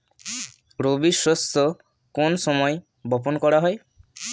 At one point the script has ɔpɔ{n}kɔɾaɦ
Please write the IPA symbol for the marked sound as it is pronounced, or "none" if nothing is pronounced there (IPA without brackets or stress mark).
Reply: n